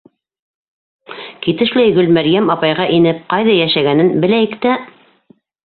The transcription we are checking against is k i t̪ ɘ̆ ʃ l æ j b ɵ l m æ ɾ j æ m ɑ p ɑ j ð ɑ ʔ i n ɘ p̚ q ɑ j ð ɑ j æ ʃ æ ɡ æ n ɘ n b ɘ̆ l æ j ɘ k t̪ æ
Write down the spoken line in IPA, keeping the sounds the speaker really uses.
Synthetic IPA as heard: k i t̪ ɘ̆ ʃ l æ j ɡ ɵ l m æ ɾ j æ m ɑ p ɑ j ʁ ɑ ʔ i n ɘ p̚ q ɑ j ð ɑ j æ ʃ æ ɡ æ n ɘ n b ɘ̆ l æ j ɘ k t̪ æ